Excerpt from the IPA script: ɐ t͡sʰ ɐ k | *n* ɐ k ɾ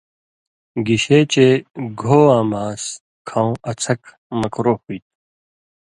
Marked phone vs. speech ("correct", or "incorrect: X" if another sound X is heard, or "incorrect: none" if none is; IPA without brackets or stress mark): incorrect: m